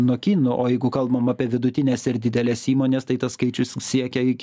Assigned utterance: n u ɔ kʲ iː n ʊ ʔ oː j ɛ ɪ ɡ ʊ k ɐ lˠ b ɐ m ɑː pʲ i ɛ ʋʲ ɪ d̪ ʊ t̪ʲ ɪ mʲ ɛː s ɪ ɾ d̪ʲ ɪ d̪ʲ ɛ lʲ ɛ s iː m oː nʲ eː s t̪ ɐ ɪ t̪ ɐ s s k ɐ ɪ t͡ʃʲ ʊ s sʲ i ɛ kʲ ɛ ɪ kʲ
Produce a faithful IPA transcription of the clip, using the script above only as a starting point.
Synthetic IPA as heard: n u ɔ kʲ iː n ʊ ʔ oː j ɛ ɪ ɡ ʊ k ɐ lˠ b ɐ m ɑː pʲ i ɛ ʋʲ ɪ d̪ ʊ t̪ʲ ɪ nʲ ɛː s ɪ ɾ d̪ʲ ɪ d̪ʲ ɛ lʲ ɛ s iː m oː nʲ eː s t̪ ɐ ɪ t̪ ɐ s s k ɐ ɪ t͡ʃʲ ʊ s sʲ i ɛ kʲ ɛ ɪ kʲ